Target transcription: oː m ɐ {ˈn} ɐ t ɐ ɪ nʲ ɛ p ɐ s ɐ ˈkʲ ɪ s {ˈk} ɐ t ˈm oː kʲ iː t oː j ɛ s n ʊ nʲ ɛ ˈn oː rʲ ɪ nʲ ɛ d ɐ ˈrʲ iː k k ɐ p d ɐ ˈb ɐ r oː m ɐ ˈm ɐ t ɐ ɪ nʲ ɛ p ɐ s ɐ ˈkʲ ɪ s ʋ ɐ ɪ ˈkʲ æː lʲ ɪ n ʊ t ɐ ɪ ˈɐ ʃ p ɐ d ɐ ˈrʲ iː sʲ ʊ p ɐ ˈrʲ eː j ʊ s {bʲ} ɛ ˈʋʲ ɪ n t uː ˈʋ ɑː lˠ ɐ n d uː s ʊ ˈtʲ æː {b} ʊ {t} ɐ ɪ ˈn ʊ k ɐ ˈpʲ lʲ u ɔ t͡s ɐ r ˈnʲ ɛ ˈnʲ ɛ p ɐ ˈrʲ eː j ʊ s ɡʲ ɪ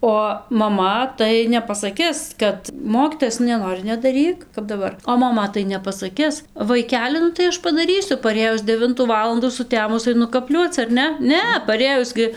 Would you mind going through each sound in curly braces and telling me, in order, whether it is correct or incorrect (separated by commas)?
incorrect, correct, incorrect, incorrect, incorrect